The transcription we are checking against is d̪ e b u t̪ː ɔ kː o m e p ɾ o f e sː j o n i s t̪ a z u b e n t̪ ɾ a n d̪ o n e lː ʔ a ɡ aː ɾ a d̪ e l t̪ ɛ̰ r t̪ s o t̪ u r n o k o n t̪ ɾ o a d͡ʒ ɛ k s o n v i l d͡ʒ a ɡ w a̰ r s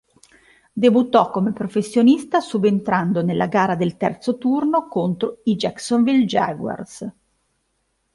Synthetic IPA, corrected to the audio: d̪ e b u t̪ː ɔ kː o m e p ɾ o f e sː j o n i s t̪ a s u b e n t̪ ɾ a n d̪ o n e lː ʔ a ɡ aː ɾ a d̪ e l t̪ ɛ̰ r t̪ s o t̪ u r n o k o n t̪ ɾ o i d͡ʒ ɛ k s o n v i l d͡ʒ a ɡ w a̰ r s